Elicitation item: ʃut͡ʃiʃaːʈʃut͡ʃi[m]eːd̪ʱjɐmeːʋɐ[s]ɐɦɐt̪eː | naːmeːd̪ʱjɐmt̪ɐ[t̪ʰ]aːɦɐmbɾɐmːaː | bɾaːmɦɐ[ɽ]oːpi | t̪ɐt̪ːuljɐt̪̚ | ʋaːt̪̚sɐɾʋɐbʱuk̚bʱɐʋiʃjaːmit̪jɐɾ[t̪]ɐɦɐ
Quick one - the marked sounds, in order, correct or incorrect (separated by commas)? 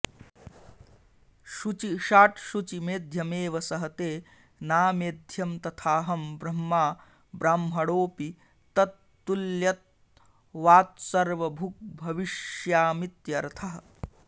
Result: correct, correct, correct, correct, incorrect